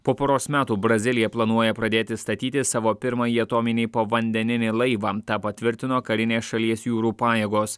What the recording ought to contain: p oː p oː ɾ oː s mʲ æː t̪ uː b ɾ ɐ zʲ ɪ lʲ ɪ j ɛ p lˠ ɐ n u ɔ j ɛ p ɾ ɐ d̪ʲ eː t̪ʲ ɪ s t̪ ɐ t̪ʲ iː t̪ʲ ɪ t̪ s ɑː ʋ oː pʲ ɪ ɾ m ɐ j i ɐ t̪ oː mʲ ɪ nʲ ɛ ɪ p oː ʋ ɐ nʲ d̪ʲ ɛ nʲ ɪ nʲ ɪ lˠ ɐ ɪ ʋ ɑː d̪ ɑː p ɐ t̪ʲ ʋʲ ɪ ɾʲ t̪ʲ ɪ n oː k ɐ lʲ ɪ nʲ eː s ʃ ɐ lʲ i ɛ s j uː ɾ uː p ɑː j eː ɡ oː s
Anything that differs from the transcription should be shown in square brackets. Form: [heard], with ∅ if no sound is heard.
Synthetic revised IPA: p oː p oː ɾ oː s mʲ æː t̪ uː b ɾ ɐ zʲ ɪ lʲ ɪ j ɛ p lˠ ɐ n u ɔ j ɛ p ɾ ɐ d̪ʲ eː t̪ʲ ɪ s t̪ ɐ t̪ʲ iː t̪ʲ ɪ [∅] s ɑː ʋ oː pʲ ɪ ɾ m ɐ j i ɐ t̪ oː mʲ ɪ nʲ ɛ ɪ p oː ʋ ɐ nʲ d̪ʲ ɛ nʲ ɪ nʲ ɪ lˠ ɐ ɪ ʋ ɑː [t̪] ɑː p ɐ t̪ʲ ʋʲ ɪ ɾʲ t̪ʲ ɪ n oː k ɐ [ɾʲ] ɪ nʲ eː s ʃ ɐ lʲ i ɛ s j uː ɾ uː p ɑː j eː ɡ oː s

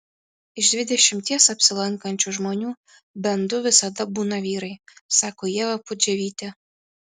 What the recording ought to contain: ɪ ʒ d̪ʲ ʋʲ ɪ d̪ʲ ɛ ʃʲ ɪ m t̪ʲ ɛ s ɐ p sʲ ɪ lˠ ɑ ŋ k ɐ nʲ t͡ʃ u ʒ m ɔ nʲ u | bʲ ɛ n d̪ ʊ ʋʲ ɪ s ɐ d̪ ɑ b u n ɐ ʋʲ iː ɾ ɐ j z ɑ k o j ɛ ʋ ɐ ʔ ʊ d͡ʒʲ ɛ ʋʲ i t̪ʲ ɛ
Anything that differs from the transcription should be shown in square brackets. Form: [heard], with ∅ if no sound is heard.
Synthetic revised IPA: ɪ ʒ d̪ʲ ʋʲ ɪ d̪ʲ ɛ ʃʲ ɪ m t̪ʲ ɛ s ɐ p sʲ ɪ lˠ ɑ ŋ k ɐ nʲ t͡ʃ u ʒ m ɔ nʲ u | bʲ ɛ n d̪ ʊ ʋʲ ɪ s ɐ d̪ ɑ b u n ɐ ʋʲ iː ɾ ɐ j [s] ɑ k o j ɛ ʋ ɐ [p] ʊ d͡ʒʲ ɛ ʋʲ i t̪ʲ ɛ

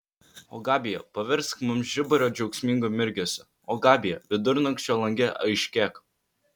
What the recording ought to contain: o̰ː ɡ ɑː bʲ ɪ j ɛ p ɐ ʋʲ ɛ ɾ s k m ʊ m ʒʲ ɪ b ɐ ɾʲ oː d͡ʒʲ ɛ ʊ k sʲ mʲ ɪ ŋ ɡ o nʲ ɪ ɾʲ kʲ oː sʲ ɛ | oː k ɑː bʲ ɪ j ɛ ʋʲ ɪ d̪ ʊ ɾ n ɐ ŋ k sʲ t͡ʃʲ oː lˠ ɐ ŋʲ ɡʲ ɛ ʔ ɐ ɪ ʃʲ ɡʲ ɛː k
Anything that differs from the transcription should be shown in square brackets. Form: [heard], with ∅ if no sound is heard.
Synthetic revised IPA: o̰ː ɡ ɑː bʲ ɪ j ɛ p ɐ ʋʲ ɛ ɾ s k m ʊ m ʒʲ ɪ b ɐ ɾʲ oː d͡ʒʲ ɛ ʊ k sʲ mʲ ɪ ŋ ɡ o [mʲ] ɪ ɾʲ [ɡʲ] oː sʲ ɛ | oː [ɡ] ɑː bʲ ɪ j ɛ ʋʲ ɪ d̪ ʊ ɾ n ɐ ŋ k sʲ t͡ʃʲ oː lˠ ɐ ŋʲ ɡʲ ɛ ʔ ɐ ɪ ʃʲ [kʲ] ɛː k

